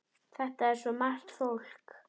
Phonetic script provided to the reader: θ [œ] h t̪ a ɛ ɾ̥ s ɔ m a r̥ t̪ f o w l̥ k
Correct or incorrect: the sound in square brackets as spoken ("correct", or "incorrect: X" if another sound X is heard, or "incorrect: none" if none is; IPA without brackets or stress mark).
incorrect: ɛ